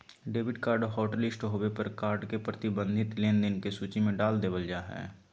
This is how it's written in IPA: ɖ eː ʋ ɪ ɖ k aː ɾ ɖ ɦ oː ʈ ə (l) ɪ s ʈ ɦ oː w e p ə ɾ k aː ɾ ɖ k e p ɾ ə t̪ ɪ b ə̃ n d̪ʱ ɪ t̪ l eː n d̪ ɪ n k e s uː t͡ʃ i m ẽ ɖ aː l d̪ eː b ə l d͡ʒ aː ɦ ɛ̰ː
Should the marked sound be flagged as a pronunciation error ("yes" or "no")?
no